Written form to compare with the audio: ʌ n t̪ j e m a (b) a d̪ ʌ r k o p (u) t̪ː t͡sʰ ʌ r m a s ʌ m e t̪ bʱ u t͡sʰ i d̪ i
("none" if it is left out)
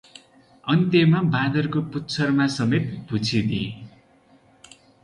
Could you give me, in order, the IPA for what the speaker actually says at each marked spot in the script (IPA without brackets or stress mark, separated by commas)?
b, u